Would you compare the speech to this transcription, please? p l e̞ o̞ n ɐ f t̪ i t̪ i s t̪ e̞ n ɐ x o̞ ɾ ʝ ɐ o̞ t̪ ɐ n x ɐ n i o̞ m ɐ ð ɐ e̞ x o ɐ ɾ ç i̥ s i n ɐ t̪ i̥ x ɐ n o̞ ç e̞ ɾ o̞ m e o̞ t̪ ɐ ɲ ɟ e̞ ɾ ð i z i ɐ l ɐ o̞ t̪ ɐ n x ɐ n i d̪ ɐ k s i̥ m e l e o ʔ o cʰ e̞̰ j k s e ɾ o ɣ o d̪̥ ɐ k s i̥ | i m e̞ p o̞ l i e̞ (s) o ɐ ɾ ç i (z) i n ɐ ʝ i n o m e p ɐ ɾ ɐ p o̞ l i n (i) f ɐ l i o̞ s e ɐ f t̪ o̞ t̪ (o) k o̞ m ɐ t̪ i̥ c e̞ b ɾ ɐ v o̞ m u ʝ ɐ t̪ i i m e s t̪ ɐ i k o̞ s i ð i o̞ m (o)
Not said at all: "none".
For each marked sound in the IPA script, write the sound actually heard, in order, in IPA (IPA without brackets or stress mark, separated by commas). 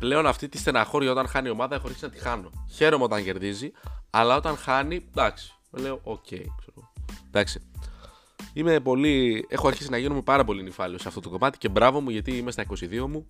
x, s, i, o, u